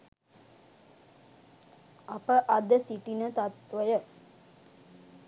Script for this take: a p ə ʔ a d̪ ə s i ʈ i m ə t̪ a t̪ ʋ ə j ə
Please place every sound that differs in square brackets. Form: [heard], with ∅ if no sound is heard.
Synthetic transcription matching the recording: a p ə ʔ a d̪ ə s i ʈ i [n] ə t̪ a t̪ ʋ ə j ə

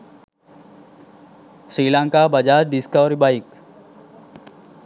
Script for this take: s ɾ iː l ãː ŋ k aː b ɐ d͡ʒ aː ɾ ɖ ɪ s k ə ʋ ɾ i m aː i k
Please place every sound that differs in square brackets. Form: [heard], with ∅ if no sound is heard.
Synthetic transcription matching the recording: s ɾ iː l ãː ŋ k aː b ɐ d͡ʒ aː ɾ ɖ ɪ s k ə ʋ ɾ i [b] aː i k

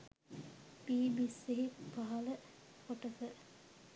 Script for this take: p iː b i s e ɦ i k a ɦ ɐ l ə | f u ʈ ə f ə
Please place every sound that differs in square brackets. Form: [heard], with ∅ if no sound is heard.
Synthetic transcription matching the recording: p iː b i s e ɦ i [p] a ɦ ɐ l ə | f [o] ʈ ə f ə

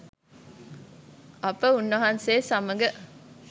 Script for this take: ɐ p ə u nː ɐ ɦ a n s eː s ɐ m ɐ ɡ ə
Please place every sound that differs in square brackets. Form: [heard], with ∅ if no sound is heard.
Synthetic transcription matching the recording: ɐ p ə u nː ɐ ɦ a n s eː s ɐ m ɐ ɡ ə

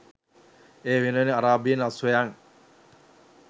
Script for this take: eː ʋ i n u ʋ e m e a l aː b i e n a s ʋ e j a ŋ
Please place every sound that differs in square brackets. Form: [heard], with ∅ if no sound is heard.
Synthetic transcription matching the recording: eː ʋ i n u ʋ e [n] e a [ɾ] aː b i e n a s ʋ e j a ŋ

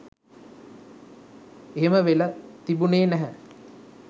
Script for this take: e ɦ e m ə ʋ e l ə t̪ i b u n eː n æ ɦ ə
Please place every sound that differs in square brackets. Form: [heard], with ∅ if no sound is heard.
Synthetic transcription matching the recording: e ɦ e m ə ʋ e l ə t̪ i b u n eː n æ ɦ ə

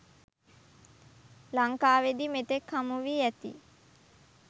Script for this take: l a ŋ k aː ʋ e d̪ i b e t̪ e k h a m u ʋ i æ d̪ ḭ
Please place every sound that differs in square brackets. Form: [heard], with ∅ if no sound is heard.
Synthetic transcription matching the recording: l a ŋ k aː ʋ e d̪ i [m] e t̪ e k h a m u ʋ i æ [t̪] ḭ

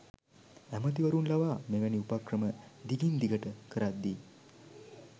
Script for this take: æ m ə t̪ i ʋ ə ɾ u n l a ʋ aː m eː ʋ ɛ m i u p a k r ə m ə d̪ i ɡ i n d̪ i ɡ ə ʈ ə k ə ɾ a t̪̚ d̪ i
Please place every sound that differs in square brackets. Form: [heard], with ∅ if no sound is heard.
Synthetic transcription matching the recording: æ m ə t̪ i ʋ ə ɾ u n l a ʋ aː m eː ʋ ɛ [n] i u p a k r ə m ə d̪ i ɡ i n d̪ i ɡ ə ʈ ə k ə ɾ a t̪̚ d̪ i

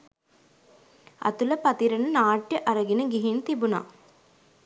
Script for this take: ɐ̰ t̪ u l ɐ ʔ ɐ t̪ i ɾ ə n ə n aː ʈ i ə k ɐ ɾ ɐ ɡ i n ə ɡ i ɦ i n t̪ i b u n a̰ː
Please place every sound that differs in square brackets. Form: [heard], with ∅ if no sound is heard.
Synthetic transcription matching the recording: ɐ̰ t̪ u l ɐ [p] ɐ t̪ i ɾ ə n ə n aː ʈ [j] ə [ʔ] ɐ ɾ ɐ ɡ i n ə ɡ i ɦ i n t̪ i b u n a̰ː

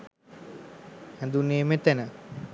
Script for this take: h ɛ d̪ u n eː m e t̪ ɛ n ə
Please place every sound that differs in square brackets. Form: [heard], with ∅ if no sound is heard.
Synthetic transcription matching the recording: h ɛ d̪ u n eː m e t̪ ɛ n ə

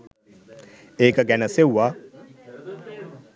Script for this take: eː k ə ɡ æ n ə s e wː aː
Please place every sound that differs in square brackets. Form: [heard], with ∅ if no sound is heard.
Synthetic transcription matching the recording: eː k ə ɡ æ n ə s e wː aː

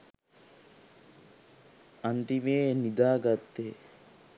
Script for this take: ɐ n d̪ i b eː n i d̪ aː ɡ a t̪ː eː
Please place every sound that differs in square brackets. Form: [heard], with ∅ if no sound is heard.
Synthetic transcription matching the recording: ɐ n [t̪] i [m] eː n i d̪ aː ɡ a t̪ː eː

